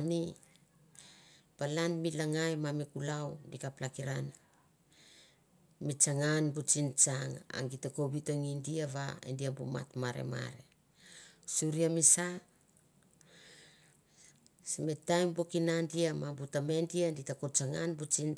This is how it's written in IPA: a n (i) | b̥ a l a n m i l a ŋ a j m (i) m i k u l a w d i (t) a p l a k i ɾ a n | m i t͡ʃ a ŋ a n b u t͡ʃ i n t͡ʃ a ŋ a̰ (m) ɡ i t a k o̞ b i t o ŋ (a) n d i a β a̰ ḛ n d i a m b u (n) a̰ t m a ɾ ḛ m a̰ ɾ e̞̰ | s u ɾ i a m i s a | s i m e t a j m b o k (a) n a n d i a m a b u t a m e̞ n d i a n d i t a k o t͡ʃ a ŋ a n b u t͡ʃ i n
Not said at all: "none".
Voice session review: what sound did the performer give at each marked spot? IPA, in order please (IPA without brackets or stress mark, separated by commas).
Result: i, a, k, ŋ, i, m, i